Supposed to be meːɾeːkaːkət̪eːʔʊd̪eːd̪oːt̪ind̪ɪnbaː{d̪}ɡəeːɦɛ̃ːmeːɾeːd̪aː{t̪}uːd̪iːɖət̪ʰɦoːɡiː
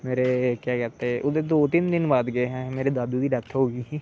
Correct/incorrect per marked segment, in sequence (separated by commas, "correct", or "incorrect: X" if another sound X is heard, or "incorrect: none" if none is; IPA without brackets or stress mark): correct, incorrect: d̪